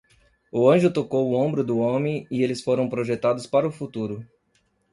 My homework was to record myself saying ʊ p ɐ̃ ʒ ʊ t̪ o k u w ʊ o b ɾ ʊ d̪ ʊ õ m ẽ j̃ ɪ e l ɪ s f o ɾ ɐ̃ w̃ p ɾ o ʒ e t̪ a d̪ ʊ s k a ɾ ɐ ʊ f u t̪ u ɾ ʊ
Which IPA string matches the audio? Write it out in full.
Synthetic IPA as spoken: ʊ ɐ̃ ʒ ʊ t̪ o k o w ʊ õ b ɾ ʊ d̪ ʊ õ m ẽ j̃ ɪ e l ɪ s f o ɾ ɐ̃ w̃ p ɾ o ʒ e t̪ a d̪ ʊ s p a ɾ ɐ ʊ f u t̪ u ɾ ʊ